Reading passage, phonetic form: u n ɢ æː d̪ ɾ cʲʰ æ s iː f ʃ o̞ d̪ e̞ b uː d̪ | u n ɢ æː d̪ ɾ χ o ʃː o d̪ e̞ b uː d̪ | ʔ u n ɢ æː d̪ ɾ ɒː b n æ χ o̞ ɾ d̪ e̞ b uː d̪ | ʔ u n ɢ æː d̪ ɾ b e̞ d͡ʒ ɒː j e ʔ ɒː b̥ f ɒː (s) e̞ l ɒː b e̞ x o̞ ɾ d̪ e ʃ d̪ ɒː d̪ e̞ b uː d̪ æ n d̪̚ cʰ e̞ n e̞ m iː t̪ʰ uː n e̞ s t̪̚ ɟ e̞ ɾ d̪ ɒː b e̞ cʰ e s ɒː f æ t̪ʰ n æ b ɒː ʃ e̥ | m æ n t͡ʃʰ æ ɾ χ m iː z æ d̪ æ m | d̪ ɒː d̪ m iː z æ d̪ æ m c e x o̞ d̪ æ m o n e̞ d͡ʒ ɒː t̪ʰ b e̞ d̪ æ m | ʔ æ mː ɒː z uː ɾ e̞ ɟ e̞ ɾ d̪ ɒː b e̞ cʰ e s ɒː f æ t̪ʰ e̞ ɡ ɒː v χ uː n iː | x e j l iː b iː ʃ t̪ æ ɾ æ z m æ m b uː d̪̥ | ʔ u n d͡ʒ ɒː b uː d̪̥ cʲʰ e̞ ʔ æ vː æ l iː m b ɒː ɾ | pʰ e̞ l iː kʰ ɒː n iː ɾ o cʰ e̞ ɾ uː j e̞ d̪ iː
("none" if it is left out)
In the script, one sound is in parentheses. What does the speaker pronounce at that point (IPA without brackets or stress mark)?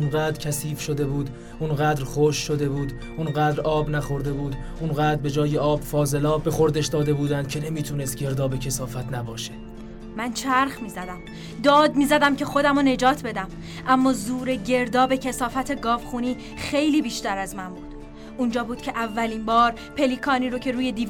z